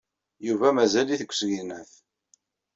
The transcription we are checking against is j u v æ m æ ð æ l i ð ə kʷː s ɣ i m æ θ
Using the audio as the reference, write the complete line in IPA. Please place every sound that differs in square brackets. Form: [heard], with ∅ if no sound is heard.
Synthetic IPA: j u v æ m æ [z] æ l i [θ] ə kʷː s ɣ i [n] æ θ